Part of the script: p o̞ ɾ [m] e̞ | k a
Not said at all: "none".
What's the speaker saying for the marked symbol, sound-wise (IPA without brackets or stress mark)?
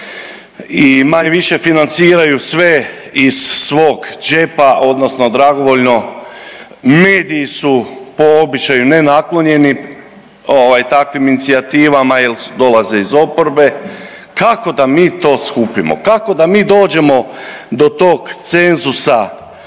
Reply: b